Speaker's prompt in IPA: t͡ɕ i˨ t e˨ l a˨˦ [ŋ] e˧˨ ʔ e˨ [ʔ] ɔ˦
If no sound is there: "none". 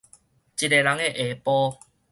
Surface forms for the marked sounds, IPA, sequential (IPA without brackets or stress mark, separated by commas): ŋ, p